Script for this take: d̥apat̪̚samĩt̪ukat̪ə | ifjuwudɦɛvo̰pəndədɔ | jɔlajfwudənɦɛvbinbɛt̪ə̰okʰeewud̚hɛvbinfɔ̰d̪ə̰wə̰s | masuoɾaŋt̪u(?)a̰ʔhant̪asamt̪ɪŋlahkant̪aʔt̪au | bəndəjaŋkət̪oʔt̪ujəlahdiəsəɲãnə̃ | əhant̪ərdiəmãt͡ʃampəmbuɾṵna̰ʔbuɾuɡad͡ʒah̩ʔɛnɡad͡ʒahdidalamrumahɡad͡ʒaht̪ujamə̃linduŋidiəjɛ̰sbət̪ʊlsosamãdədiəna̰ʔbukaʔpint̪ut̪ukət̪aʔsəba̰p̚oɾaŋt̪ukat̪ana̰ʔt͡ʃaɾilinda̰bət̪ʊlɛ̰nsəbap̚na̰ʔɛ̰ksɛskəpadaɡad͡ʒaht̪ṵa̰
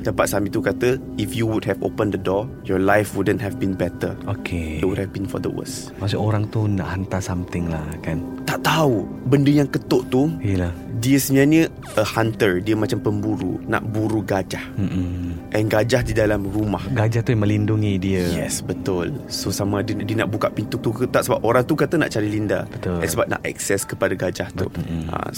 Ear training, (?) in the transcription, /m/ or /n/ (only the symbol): n